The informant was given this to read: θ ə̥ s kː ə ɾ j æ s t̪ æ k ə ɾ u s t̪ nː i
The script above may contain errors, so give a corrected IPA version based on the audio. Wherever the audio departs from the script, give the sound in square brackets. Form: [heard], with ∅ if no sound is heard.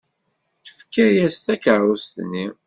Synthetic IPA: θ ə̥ [f] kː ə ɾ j æ s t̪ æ k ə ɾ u s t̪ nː i